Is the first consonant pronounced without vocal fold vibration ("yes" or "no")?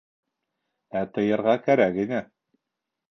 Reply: yes